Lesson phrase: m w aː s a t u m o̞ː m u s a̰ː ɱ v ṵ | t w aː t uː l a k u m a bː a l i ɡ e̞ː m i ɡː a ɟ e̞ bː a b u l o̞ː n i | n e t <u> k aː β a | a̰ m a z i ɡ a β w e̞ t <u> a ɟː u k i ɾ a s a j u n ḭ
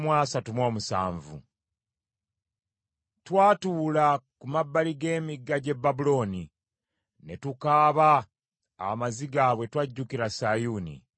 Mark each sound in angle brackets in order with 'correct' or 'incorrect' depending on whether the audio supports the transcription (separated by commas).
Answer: correct, incorrect